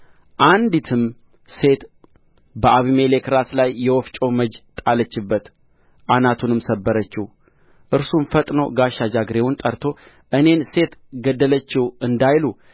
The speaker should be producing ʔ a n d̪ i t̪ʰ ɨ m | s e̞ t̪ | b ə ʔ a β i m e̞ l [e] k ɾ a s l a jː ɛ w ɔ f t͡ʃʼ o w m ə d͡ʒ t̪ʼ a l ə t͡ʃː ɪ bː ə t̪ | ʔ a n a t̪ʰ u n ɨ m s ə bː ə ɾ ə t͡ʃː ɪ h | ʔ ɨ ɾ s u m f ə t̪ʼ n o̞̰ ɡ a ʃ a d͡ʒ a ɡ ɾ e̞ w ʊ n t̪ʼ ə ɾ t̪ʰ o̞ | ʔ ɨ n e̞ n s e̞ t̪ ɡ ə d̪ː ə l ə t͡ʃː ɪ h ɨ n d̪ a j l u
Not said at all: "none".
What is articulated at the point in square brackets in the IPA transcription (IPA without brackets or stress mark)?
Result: e